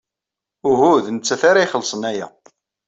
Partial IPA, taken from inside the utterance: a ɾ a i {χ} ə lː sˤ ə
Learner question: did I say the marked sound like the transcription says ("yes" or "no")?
yes